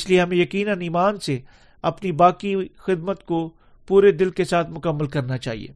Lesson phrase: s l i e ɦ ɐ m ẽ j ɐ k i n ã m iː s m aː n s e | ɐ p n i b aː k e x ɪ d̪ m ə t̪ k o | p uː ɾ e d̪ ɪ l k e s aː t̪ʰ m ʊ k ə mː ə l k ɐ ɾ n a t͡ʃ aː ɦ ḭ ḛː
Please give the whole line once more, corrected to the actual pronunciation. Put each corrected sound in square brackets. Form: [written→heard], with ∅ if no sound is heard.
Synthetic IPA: s l i e ɦ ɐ m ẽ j ɐ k [i→iː] n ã [m→n] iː [s→∅] m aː n s e | ɐ p n i b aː k [e→i] x ɪ d̪ m ə t̪ k o | p uː ɾ e d̪ ɪ l k e s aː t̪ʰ m ʊ k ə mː ə l k ɐ ɾ n a t͡ʃ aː ɦ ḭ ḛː